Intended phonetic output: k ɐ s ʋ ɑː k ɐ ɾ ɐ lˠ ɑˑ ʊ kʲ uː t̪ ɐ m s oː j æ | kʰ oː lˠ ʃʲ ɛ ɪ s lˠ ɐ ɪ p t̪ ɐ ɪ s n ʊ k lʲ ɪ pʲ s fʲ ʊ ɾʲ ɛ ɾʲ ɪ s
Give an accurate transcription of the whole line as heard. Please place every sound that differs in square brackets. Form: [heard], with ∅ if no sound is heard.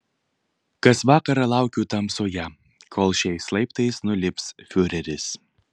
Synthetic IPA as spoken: k ɐ s ʋ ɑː k ɐ ɾ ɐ lˠ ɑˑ ʊ kʲ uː t̪ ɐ m s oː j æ | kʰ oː lˠ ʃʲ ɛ ɪ s lˠ ɐ ɪ p t̪ ɐ ɪ s n ʊ [∅] lʲ ɪ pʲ s fʲ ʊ ɾʲ ɛ ɾʲ ɪ s